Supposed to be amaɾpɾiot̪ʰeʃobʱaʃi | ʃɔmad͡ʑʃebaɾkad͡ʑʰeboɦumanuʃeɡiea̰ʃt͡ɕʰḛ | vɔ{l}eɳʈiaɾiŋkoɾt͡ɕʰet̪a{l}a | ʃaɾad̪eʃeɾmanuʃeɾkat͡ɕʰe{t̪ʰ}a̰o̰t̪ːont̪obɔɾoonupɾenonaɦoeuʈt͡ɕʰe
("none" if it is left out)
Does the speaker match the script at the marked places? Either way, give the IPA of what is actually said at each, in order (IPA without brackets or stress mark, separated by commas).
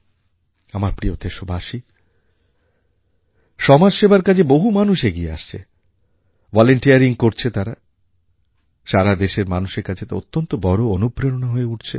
l, ɾ, t̪